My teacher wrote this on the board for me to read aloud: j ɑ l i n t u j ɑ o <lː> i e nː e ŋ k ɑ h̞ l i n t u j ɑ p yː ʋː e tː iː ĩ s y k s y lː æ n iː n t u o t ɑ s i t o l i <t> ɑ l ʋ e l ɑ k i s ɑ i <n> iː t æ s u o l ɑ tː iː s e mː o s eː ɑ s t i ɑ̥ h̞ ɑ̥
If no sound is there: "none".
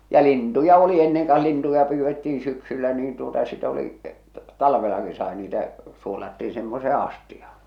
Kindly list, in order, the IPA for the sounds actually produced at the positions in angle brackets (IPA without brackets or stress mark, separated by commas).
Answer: l, t, n